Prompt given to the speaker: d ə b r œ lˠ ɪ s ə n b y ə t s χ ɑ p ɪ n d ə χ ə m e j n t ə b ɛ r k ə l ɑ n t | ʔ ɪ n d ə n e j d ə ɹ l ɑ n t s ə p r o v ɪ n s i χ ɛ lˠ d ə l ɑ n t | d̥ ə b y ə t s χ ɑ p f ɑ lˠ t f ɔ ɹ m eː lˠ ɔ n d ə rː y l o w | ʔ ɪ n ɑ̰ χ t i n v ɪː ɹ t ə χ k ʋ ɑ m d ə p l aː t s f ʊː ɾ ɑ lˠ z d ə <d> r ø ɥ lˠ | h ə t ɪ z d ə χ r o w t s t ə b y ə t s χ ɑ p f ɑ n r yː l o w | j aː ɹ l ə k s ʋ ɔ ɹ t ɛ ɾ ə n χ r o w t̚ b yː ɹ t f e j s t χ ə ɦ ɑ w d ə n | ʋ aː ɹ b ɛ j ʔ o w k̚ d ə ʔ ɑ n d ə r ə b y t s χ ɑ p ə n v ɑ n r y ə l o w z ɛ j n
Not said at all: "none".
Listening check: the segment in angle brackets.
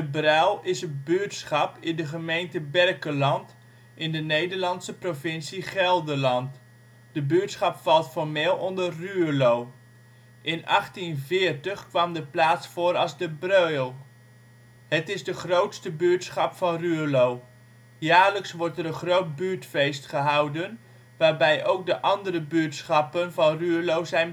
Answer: b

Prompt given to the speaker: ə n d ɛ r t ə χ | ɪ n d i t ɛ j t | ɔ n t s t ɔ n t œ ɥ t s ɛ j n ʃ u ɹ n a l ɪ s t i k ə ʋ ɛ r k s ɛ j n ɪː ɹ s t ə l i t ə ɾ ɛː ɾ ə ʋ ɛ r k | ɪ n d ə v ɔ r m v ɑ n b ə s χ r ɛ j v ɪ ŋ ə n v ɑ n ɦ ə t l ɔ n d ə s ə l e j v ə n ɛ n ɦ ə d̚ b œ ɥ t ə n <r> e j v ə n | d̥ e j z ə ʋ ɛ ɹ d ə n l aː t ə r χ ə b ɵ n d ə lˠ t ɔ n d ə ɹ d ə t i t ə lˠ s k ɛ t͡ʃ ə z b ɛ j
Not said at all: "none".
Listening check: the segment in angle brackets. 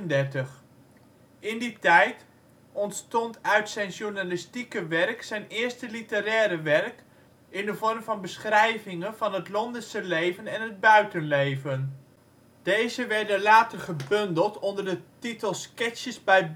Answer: l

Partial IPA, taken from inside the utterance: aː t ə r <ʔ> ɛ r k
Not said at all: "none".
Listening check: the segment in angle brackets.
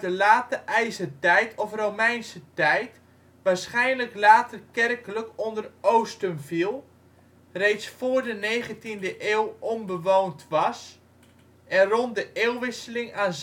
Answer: k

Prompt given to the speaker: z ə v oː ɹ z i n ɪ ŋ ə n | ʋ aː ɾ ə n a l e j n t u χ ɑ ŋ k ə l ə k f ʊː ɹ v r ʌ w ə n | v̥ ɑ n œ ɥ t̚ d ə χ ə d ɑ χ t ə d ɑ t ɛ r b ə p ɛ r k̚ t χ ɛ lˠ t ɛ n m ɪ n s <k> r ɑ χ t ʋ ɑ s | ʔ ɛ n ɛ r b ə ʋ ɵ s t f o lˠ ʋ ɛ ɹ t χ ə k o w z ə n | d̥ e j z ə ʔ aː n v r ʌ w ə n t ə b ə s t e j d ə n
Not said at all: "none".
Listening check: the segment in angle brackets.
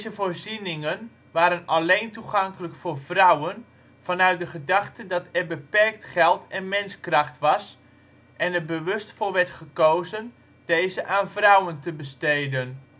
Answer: k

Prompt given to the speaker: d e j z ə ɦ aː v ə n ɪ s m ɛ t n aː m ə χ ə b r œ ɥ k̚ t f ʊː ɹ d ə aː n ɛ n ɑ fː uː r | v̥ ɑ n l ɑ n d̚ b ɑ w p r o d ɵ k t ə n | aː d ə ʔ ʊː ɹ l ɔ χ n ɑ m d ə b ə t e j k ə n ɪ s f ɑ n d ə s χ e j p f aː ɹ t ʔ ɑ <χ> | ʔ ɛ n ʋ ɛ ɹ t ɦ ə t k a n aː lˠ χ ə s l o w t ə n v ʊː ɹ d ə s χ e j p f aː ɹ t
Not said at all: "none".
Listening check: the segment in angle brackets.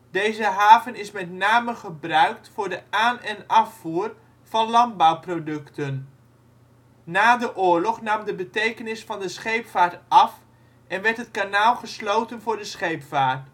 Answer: f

